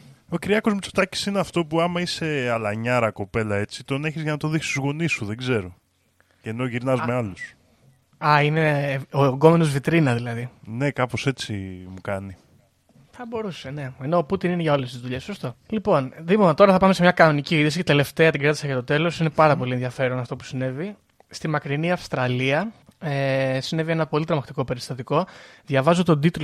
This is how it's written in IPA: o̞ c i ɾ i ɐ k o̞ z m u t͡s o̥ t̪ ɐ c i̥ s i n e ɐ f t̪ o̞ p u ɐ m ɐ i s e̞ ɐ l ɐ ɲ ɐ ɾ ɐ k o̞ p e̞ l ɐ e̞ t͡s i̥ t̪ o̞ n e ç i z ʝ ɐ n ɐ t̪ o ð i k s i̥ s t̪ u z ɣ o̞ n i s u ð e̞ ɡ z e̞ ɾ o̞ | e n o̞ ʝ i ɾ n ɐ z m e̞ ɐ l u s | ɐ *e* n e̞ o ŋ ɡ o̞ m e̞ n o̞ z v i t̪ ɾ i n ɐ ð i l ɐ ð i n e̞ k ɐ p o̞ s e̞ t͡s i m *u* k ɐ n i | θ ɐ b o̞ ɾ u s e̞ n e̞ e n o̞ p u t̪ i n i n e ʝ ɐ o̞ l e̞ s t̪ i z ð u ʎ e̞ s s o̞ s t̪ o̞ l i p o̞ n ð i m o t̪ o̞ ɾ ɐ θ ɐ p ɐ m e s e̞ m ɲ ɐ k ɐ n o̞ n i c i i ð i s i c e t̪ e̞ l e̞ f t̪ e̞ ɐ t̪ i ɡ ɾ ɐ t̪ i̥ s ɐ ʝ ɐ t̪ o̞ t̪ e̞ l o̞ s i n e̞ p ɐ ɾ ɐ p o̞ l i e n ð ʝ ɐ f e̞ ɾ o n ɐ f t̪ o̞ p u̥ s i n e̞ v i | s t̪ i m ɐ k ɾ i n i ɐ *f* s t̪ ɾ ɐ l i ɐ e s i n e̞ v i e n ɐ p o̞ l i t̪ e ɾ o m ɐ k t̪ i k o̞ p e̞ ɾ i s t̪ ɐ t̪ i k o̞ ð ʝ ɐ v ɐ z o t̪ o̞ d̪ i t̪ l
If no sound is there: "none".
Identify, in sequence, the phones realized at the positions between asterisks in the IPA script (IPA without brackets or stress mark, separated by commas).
i, u, f